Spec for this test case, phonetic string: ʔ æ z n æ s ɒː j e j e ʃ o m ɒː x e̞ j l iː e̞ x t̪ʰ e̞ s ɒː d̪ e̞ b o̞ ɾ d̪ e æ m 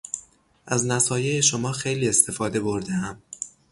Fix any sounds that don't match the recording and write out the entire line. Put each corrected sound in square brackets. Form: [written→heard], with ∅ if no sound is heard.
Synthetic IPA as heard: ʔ æ z n æ s ɒː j e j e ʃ o m ɒː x e̞ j l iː e̞ [x→s] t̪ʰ e̞ [s→f] ɒː d̪ e̞ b o̞ ɾ d̪ e æ m